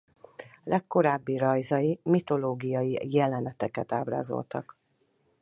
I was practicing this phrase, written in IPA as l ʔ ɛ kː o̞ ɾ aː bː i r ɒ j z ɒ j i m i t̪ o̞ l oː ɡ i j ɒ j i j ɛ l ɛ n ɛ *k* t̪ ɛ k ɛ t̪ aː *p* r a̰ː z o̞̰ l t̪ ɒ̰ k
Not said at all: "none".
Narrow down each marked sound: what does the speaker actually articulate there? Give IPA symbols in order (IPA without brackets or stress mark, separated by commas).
none, b